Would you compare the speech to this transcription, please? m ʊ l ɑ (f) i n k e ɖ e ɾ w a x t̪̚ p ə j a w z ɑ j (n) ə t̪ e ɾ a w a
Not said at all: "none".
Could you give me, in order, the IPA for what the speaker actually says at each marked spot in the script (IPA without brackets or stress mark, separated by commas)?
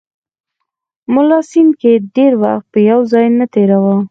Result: s, n